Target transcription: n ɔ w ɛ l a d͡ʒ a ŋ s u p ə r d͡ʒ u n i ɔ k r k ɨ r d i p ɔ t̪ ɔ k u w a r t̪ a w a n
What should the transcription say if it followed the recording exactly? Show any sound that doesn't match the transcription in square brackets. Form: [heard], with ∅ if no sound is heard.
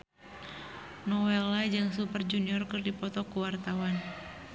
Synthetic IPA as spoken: n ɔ w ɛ l a d͡ʒ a ŋ s u p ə r d͡ʒ u n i ɔ [∅] r k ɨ r d i p ɔ t̪ ɔ k u w a r t̪ a w a n